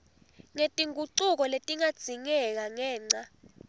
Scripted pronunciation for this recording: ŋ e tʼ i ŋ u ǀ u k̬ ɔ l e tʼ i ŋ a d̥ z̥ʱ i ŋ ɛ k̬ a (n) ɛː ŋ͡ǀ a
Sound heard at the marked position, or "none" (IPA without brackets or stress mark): ŋ